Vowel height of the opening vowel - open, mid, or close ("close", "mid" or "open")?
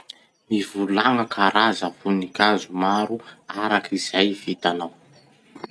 close